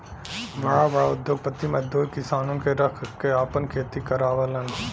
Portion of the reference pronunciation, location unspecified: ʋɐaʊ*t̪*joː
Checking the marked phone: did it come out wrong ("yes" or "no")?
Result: yes